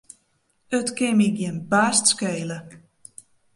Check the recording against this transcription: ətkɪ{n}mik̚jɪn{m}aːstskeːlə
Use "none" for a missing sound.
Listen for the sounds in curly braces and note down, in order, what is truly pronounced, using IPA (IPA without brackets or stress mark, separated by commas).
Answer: none, b